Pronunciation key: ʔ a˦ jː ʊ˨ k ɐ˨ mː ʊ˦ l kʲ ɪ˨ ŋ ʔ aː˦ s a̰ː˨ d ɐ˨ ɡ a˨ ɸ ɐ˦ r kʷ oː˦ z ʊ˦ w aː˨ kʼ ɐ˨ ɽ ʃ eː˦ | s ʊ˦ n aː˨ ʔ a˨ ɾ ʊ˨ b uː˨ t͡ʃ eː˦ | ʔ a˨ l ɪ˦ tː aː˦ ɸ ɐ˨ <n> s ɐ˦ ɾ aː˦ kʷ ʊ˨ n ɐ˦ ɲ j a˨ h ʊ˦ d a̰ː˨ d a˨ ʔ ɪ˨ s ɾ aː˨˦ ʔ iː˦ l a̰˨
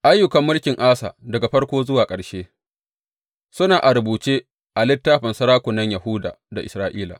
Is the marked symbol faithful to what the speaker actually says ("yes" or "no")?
yes